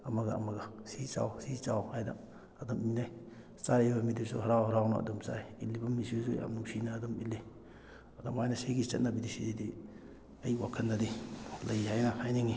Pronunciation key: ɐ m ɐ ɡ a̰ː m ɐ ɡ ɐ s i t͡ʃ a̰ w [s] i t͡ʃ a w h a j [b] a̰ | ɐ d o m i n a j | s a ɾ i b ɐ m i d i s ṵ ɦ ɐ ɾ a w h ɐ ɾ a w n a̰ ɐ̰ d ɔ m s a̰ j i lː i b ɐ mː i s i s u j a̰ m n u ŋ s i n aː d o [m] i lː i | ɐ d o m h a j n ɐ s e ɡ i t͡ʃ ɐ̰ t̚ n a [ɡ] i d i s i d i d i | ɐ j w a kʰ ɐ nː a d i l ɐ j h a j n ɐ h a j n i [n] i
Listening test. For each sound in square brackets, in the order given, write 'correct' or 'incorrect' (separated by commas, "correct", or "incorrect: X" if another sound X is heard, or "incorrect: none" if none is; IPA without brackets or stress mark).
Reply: correct, incorrect: d, correct, incorrect: b, incorrect: ŋ